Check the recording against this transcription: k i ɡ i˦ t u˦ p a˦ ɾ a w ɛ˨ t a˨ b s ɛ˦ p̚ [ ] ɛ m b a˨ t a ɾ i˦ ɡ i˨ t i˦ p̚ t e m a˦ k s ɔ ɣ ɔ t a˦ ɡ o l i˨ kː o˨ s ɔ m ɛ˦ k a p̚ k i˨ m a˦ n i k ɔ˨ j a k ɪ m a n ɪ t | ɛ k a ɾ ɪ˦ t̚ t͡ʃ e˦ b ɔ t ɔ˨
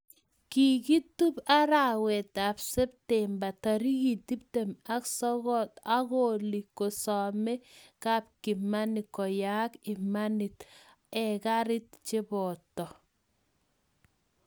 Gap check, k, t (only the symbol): t